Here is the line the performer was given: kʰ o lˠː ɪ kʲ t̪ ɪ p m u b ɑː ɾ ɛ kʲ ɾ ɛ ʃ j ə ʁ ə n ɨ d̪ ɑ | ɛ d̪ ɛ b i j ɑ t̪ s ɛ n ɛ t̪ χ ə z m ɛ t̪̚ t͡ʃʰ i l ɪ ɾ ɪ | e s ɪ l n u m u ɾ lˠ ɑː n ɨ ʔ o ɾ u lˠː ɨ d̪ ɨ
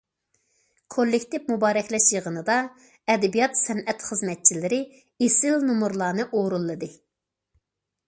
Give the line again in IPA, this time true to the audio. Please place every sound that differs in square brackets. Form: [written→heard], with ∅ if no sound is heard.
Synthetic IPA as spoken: kʰ o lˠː ɪ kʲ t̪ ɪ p m u b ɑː ɾ ɛ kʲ [ɾ→l] ɛ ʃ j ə ʁ ə n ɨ d̪ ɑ | ɛ d̪ ɛ b i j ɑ t̪ s ɛ n ɛ t̪ χ ə z m ɛ t̪̚ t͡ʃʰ i l ɪ ɾ ɪ | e s ɪ l n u m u ɾ lˠ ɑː n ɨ ʔ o ɾ u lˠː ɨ d̪ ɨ